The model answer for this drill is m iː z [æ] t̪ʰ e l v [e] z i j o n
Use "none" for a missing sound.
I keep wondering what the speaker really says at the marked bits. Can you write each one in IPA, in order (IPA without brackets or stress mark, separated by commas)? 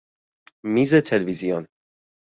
e, i